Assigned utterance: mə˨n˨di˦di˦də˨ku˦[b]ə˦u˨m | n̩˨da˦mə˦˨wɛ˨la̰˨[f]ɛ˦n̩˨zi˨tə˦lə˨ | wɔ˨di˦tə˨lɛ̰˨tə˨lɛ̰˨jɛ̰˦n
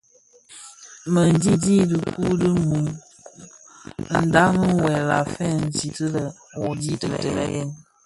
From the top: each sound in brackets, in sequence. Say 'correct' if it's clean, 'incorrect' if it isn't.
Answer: incorrect: d, correct

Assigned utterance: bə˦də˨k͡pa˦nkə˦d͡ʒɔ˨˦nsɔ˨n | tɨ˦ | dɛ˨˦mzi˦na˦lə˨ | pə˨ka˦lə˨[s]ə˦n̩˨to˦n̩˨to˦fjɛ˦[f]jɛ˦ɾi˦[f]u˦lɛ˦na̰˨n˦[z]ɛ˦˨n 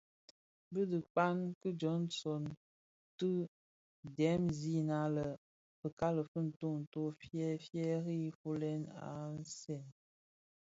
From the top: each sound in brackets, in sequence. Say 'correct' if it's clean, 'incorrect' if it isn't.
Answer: incorrect: f, correct, correct, incorrect: s

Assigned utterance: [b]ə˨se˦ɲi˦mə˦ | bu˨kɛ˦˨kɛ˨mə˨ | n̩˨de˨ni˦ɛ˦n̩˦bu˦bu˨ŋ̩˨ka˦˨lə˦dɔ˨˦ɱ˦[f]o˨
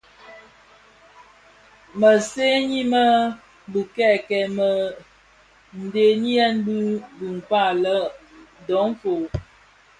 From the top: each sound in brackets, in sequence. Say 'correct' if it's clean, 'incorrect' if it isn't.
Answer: incorrect: m, correct

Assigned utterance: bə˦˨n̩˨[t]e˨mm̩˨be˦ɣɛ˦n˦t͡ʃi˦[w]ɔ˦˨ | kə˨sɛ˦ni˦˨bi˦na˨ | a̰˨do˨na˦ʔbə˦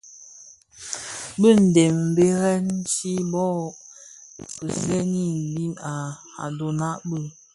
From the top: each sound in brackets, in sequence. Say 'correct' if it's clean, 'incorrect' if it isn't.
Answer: incorrect: d, incorrect: b

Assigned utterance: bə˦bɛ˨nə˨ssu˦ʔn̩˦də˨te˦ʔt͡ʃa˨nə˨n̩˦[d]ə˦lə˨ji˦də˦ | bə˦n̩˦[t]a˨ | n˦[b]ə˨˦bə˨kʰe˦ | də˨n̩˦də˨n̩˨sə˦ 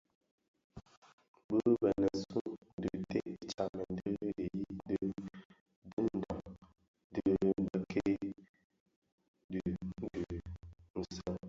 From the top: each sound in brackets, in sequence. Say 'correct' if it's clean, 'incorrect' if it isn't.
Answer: correct, incorrect: d, incorrect: d

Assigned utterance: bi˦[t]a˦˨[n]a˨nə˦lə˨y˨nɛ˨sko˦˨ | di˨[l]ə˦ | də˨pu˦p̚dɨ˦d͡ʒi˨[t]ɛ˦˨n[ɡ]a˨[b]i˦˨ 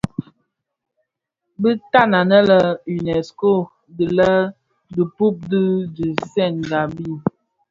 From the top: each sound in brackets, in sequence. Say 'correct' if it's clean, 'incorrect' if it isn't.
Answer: correct, correct, correct, incorrect: s, correct, correct

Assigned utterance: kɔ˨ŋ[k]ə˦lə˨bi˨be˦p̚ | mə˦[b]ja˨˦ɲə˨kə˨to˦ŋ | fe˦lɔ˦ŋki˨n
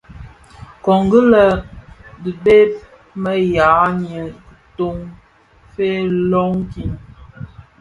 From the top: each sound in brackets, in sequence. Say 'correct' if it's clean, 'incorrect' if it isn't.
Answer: incorrect: ɡ, incorrect: none

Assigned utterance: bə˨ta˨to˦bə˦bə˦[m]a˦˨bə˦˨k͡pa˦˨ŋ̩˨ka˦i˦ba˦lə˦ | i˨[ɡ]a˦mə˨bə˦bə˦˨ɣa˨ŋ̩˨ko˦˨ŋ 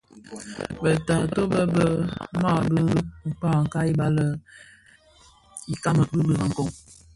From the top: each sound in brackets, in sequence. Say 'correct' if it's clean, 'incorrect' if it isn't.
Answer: correct, incorrect: k

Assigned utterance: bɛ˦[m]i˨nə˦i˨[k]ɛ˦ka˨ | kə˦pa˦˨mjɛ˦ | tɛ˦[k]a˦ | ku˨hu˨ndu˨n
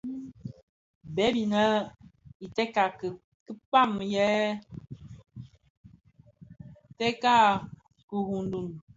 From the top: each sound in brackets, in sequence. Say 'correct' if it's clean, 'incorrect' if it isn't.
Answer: incorrect: b, incorrect: t, correct

